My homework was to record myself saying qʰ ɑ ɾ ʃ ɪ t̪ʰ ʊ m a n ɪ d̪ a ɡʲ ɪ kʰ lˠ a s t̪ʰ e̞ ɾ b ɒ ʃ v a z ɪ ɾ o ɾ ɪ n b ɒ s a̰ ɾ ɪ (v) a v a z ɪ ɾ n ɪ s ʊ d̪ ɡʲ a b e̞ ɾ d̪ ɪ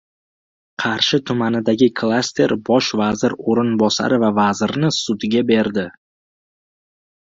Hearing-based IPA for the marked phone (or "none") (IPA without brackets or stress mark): v